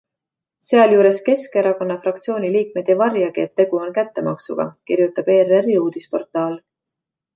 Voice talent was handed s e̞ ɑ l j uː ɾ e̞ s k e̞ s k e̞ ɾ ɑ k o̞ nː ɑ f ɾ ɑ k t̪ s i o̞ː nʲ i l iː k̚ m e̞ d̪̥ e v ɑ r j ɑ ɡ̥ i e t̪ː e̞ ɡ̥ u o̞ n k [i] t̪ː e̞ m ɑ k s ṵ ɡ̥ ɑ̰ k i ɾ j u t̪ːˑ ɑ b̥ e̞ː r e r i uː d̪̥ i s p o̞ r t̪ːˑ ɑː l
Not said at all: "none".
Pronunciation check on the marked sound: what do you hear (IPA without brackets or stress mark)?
æ